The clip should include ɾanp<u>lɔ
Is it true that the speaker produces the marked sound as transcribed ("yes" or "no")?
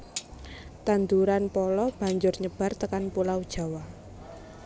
no